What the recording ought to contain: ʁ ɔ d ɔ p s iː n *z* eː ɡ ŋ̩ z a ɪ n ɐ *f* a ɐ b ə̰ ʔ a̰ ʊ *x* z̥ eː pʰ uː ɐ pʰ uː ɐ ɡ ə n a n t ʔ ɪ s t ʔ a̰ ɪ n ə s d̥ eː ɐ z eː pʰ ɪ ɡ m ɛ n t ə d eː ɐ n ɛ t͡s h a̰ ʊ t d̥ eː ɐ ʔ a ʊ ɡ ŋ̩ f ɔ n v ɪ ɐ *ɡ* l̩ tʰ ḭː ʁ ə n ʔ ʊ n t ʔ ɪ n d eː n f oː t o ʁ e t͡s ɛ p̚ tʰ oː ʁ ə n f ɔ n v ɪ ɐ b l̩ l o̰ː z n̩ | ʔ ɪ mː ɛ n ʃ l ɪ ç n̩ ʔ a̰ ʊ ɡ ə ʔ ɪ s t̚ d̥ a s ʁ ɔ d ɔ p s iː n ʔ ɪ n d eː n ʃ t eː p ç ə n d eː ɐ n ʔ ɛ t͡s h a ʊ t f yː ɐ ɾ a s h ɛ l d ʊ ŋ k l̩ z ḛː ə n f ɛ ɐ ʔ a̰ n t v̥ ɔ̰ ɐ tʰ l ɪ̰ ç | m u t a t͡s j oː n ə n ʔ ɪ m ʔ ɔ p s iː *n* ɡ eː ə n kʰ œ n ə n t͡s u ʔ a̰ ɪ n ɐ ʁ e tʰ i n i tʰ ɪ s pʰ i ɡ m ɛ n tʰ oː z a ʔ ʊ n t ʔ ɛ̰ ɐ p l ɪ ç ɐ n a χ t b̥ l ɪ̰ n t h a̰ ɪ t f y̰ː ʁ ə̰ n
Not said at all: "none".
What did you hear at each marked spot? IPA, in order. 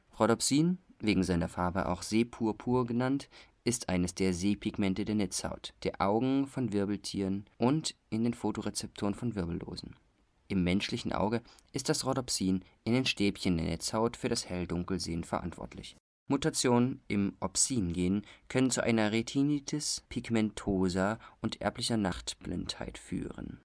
v, f, x, b, n

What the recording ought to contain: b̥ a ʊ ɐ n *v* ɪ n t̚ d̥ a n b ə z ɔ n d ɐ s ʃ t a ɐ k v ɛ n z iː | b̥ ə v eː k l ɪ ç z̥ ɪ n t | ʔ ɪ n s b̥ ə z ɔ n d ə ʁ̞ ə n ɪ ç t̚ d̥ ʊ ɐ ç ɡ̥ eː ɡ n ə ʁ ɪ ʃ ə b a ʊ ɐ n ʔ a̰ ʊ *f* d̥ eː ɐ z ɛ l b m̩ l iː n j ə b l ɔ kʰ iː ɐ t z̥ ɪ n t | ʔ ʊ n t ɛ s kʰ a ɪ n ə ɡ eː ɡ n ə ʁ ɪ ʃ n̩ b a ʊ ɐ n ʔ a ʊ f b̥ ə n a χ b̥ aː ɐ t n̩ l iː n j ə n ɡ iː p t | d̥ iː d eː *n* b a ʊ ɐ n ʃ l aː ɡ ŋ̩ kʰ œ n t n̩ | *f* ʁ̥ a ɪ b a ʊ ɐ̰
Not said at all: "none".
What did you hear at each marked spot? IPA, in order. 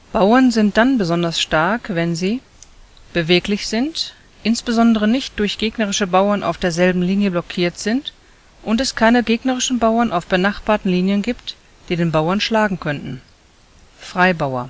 z, f, n, f

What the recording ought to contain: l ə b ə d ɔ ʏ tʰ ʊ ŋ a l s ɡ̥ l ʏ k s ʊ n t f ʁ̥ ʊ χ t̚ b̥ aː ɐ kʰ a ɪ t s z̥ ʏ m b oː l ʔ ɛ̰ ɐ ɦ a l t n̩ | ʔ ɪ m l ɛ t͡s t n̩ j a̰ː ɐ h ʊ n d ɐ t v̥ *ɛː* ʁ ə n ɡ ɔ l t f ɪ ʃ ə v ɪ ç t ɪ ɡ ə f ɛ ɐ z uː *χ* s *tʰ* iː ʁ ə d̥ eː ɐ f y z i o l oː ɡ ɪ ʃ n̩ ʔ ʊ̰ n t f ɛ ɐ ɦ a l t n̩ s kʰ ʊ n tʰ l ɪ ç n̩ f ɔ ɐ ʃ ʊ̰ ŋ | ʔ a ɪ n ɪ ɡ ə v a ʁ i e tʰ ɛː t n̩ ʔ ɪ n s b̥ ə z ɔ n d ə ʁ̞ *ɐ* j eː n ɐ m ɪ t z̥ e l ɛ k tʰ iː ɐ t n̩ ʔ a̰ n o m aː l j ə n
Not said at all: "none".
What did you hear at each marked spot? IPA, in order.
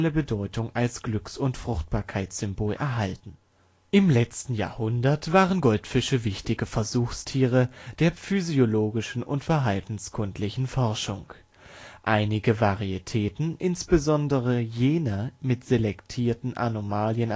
aː, x, tʰ, ə

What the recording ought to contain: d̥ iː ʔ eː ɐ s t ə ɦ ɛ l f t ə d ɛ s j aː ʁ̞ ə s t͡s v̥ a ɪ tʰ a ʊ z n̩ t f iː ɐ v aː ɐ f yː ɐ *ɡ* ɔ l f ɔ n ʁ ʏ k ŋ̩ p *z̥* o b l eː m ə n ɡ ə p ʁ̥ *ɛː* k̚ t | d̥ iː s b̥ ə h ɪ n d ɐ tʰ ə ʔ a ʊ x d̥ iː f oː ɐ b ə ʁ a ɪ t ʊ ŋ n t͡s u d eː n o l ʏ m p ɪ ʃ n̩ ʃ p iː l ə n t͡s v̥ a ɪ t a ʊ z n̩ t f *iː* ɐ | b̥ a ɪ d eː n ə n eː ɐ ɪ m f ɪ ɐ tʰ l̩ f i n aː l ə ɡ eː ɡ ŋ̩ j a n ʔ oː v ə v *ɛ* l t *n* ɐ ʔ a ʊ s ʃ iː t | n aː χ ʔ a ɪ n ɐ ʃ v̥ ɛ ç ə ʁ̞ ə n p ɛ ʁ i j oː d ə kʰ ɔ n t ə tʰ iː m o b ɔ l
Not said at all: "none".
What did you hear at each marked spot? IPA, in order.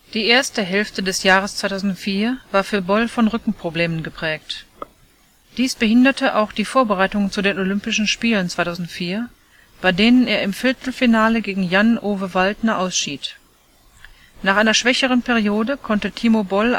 b, ʁ̥, ɛː, iː, a, n

